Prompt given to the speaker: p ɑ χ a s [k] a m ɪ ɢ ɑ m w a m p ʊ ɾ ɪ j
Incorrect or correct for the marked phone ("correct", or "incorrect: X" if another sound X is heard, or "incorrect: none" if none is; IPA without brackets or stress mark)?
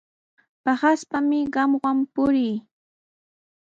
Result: incorrect: p